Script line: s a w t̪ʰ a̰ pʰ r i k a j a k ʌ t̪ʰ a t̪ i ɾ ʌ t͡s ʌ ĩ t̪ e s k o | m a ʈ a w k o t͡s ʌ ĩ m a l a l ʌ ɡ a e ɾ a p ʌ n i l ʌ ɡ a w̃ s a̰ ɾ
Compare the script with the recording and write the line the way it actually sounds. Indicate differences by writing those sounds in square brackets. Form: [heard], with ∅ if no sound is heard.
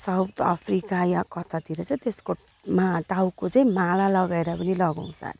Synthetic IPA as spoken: s a w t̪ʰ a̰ pʰ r i k a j a k ʌ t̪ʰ a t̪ i ɾ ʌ t͡s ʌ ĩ t̪ e s k o | m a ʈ a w k o t͡s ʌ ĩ m a l a l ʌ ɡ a e ɾ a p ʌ n i l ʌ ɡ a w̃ s a̰ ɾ